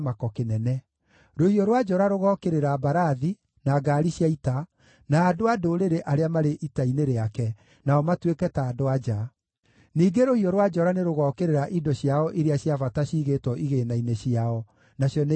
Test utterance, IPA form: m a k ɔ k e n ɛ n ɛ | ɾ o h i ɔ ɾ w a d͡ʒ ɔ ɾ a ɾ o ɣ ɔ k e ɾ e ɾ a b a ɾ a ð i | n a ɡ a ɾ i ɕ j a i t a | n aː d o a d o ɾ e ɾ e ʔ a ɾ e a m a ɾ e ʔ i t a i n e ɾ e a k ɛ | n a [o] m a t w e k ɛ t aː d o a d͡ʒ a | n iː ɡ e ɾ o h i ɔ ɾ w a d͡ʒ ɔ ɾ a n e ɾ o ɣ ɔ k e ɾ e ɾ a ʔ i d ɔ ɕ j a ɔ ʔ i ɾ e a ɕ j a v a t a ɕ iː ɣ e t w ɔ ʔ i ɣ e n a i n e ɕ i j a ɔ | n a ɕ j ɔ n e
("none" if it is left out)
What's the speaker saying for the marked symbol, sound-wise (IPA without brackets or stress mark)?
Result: ɔ